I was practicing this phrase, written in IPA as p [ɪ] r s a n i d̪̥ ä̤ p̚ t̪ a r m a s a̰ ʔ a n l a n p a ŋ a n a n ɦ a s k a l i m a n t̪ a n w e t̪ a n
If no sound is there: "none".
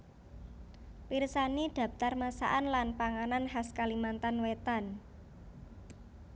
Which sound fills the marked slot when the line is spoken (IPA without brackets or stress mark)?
i